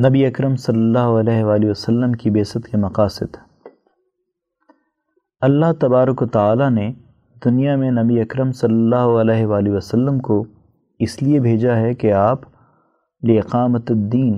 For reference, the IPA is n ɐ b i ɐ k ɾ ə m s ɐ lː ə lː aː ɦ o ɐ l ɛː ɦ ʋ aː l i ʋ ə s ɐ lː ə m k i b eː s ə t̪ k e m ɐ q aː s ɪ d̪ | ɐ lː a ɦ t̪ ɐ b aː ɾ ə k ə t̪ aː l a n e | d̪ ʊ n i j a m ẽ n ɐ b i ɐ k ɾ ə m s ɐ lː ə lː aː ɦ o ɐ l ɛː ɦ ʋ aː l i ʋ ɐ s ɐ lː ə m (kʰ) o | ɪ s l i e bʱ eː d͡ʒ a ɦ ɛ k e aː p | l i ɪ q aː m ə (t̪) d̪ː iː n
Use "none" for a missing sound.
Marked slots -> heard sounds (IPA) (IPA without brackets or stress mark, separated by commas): k, t̪